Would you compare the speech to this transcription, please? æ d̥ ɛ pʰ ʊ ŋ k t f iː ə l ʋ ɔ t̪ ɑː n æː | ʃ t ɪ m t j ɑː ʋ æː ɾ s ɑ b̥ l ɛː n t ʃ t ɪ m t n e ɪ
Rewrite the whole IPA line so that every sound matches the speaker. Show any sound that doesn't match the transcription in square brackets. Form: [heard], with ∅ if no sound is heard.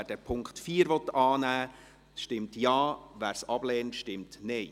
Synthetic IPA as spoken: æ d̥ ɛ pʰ ʊ ŋ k t f iː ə [ɾ] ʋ ɔ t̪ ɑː n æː | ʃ t ɪ m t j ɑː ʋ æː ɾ s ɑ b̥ l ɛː n t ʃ t ɪ m t n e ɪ